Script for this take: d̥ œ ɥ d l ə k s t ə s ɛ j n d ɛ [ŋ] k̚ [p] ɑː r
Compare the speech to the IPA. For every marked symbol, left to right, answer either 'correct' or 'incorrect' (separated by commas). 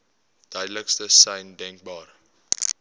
correct, incorrect